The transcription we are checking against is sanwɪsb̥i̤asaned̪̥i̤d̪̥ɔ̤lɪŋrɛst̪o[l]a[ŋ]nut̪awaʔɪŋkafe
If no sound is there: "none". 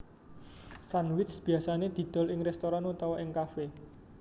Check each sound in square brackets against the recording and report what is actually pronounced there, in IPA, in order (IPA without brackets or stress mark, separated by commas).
ɾ, none